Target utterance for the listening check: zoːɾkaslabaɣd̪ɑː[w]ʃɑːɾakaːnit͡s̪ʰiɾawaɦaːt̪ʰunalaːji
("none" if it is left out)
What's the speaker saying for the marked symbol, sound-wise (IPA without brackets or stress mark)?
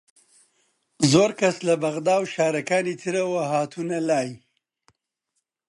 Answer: w